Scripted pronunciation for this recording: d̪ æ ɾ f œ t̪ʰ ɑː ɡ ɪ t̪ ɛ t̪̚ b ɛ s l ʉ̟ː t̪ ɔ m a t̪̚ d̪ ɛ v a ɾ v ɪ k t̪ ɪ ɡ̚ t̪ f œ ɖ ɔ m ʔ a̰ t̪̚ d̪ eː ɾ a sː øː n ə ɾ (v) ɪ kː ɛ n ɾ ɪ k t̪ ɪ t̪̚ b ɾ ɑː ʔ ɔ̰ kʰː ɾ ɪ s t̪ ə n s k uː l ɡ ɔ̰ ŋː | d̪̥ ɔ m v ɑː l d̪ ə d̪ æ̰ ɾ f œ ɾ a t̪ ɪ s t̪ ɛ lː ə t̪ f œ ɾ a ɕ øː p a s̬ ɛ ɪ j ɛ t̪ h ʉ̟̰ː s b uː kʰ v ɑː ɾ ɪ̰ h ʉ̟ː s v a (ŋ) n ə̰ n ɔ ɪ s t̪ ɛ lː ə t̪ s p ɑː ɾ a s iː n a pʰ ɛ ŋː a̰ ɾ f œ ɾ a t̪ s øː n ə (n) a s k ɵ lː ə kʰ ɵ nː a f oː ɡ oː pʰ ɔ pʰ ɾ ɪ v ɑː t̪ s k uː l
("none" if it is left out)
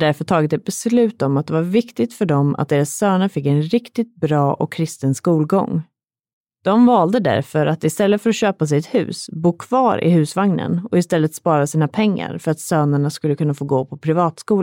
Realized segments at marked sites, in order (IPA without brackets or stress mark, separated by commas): f, ŋ, ɳ